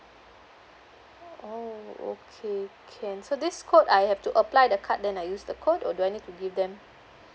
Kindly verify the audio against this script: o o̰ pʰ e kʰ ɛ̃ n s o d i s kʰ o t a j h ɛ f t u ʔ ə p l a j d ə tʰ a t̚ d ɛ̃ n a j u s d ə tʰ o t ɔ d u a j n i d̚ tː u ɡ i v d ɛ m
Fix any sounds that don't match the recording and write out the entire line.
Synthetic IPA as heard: o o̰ kʰ e kʰ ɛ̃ n s o d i s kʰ o t a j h ɛ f t u ʔ ə p l a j d ə kʰ a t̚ d ɛ̃ n a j u s d ə kʰ o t ɔ d u a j n i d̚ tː u ɡ i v d ɛ̃ m